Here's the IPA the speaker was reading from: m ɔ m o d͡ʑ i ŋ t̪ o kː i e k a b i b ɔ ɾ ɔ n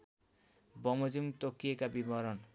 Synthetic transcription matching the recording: b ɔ m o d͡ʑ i m t̪ o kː i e k a b i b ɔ ɾ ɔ n